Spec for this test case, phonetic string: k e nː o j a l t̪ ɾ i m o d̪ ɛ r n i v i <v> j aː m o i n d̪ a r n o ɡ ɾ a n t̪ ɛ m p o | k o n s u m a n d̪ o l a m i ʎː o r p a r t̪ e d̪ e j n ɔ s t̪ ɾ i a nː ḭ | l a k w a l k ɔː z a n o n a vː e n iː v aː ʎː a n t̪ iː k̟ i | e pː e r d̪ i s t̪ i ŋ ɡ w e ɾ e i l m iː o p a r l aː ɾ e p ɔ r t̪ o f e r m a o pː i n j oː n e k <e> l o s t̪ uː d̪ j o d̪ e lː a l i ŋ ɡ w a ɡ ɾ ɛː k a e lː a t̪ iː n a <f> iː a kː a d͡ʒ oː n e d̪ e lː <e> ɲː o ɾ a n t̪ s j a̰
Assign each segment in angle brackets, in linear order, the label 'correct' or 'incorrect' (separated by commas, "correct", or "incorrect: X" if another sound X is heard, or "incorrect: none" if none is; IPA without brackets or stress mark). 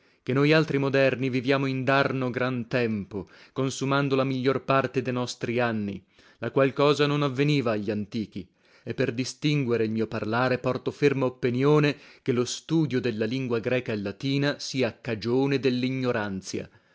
correct, correct, incorrect: s, incorrect: i